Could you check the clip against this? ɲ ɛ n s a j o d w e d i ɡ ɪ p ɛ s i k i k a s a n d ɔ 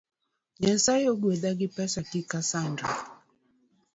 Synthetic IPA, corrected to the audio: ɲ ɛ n s a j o ɡ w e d a ɡ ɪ p ɛ s a k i k a s a n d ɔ

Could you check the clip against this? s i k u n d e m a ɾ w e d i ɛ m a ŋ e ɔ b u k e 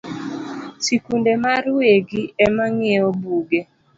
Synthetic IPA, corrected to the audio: s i k u n d e m a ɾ w e ɡ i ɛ m a ŋ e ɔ b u ɡ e

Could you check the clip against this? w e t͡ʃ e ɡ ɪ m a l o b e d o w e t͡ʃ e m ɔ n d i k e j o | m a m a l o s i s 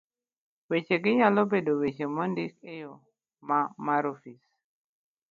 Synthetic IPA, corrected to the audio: w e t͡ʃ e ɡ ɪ ɲ a l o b e d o w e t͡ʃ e m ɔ n d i k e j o | m a m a ɾ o f i s

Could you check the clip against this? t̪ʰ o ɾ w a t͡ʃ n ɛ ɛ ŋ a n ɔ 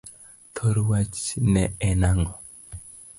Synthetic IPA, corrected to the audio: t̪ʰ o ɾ w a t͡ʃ n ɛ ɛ n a ŋ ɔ

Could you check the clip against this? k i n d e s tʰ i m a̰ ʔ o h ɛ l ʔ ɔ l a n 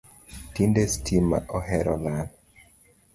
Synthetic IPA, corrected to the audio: t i n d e s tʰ i m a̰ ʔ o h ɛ ɾ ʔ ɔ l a n

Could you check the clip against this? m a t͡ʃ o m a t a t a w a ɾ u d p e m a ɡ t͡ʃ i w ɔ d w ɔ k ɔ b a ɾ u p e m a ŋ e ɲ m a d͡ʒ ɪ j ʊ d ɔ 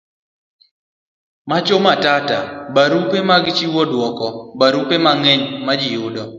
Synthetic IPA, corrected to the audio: m a t͡ʃ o m a t a t a b a ɾ u p e m a ɡ t͡ʃ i w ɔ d w ɔ k ɔ b a ɾ u p e m a ŋ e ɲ m a d͡ʒ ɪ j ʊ d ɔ

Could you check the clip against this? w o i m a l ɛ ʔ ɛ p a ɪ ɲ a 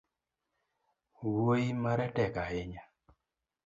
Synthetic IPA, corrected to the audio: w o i m a ɾ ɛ t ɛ k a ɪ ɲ a

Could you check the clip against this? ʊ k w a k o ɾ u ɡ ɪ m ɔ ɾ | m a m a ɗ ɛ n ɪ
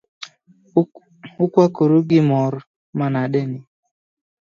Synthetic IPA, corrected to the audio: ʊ k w a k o ɾ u ɡ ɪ m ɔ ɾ | m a n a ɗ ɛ n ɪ

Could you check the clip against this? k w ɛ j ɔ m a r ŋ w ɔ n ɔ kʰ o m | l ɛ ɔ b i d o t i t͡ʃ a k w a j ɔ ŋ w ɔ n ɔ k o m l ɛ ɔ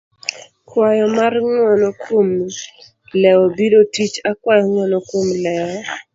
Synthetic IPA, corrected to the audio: k w a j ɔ m a r ŋ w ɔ n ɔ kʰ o m | l ɛ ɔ b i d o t i t͡ʃ a k w a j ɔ ŋ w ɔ n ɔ k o m l ɛ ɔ

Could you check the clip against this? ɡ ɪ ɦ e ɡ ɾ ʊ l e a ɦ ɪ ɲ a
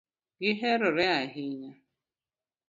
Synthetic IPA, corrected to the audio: ɡ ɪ ɦ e ɾ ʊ ɾ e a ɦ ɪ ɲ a

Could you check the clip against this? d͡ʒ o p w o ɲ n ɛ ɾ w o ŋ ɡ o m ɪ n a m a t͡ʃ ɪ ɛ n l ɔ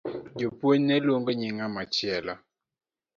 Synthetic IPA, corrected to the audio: d͡ʒ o p w o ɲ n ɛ l w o ŋ ɡ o ɲ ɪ ŋ a m a t͡ʃ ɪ ɛ l ɔ

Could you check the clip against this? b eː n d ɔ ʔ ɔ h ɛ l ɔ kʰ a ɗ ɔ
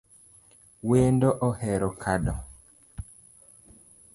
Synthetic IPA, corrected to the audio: w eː n d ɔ ʔ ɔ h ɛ ɾ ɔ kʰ a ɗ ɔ

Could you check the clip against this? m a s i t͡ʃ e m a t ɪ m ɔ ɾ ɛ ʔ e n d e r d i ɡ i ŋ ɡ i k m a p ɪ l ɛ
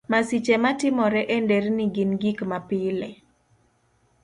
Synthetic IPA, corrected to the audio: m a s i t͡ʃ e m a t ɪ m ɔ ɾ ɛ ʔ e n d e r n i ɡ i n ɡ i k m a p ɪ l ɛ

